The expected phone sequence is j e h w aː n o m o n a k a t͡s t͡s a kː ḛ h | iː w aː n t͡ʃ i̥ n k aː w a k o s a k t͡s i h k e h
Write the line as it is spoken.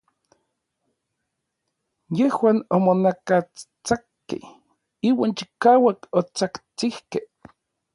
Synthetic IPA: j e h w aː n o m o n a k a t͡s t͡s a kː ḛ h | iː w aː n t͡ʃ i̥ k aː w a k o t͡s a k t͡s i h k e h